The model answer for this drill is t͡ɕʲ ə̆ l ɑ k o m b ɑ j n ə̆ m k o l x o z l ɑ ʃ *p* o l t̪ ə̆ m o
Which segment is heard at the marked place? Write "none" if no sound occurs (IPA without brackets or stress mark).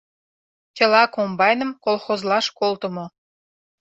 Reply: k